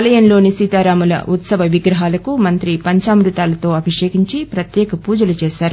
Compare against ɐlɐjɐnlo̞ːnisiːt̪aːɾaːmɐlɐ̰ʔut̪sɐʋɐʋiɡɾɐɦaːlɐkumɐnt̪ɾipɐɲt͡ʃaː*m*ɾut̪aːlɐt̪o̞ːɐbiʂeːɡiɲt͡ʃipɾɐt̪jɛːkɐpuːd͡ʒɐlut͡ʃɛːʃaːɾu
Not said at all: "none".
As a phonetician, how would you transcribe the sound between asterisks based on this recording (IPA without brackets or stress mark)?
m